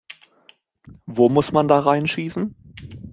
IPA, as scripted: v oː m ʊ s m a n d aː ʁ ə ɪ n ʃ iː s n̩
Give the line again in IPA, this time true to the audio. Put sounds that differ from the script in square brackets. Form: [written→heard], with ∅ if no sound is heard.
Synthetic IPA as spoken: v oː m ʊ s m a n d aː ʁ [ə→a] ɪ n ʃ iː s n̩